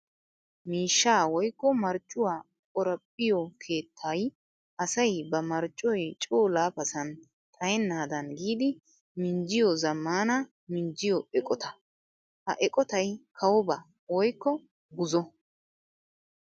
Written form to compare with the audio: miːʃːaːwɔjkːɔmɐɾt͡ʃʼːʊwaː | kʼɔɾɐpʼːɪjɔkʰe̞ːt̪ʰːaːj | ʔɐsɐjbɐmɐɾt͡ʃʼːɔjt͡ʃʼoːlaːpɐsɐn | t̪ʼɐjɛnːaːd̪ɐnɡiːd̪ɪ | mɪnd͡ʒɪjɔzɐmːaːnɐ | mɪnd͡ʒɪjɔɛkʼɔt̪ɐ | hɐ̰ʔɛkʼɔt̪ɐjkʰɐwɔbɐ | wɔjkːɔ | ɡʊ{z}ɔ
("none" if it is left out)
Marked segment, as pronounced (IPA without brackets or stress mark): z